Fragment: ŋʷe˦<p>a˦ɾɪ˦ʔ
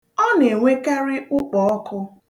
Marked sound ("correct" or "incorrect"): incorrect